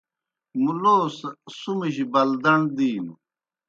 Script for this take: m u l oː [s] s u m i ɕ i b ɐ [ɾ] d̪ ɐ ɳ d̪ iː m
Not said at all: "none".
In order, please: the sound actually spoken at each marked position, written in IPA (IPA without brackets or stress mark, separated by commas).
s, l